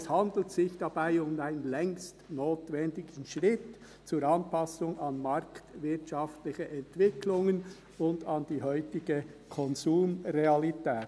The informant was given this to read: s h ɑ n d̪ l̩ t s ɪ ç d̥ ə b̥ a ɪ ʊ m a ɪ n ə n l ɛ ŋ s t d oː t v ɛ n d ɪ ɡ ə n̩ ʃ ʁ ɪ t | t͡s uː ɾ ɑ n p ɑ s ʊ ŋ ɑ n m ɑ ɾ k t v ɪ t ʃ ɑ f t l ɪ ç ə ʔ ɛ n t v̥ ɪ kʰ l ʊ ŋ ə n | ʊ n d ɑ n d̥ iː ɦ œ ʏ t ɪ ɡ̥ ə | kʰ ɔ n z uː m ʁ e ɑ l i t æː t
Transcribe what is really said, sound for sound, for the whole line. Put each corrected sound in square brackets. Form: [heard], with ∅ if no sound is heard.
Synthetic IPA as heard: s h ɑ n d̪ l̩ t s ɪ ç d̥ [ɑ] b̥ a ɪ ʊ m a ɪ n ə n l ɛ ŋ s t [n] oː t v ɛ n d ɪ ɡ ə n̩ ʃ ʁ ɪ t | t͡s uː ɾ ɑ n p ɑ s ʊ ŋ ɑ n m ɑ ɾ k t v ɪ t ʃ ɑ f t l ɪ ç ə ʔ ɛ n t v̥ ɪ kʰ l ʊ ŋ ə n | ʊ n d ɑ n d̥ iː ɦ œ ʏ t ɪ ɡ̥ ə | kʰ ɔ n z uː m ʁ e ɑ l i t [ɛː] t